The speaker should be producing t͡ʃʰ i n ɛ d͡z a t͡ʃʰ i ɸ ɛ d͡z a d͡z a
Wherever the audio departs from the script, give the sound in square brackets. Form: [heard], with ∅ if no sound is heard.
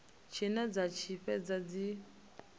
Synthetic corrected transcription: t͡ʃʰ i n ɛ d͡z a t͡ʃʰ i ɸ ɛ d͡z a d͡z [i]